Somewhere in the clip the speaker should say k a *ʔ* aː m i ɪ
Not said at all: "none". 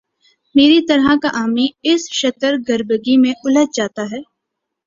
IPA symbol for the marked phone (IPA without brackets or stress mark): ʔ